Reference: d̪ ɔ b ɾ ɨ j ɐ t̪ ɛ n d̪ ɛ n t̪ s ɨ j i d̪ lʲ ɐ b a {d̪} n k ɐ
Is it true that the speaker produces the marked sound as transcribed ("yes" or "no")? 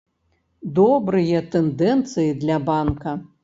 no